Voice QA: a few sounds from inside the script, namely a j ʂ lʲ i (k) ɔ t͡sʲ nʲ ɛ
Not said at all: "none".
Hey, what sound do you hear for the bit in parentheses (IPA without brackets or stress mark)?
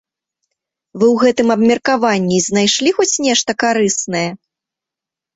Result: x